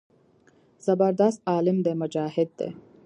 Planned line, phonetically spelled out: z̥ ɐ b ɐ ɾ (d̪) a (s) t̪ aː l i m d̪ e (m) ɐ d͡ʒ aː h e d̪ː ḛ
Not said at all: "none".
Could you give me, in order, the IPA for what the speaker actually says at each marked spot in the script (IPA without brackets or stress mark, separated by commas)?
d̪, s, m